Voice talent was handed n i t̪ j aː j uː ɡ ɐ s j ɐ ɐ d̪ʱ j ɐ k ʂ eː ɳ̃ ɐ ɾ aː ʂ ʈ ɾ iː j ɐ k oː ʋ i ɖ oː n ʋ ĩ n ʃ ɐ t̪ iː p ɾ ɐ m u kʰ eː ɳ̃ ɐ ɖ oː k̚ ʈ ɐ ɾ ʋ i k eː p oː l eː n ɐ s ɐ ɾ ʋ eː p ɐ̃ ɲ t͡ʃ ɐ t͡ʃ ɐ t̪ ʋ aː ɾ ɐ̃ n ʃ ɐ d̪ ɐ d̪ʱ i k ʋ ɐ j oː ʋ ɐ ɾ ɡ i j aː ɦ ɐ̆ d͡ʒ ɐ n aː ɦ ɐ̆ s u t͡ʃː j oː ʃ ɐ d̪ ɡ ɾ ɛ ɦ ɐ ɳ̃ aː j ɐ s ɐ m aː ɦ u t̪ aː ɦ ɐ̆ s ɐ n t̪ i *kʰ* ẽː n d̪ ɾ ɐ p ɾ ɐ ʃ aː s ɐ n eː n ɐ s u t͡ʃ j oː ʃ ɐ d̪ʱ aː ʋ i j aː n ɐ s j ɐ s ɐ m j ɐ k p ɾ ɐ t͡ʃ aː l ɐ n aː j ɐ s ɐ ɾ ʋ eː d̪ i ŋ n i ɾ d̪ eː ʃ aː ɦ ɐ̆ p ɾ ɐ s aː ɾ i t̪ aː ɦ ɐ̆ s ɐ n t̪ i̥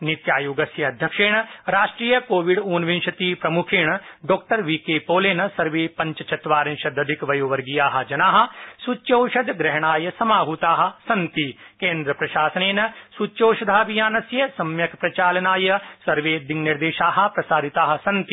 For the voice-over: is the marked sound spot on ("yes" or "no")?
no